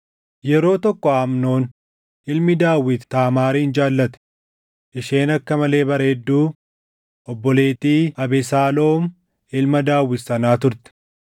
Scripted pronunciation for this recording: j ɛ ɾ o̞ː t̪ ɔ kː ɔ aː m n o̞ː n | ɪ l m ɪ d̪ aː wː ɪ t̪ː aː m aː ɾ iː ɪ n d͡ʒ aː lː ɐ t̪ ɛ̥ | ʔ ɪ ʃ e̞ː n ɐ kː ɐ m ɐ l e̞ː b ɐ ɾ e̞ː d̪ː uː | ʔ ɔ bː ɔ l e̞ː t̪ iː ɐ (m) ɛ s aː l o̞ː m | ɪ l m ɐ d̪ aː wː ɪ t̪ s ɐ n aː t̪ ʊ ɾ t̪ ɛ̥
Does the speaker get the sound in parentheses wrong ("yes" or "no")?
yes